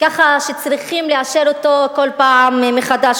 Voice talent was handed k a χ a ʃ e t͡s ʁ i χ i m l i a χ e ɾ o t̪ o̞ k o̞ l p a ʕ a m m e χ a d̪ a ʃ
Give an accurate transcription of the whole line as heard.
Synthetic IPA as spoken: k a χ a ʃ e t͡s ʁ i χ i m l e a ʃ e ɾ o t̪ o̞ k o̞ l p a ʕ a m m e χ a d̪ a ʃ